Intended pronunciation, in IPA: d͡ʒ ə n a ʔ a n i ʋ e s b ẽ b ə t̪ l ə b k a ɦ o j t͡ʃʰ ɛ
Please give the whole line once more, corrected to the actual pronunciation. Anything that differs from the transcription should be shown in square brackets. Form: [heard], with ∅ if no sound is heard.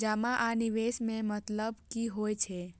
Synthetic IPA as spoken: d͡ʒ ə [m] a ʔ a n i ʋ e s [m] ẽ [m] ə t̪ l ə b k [i] ɦ o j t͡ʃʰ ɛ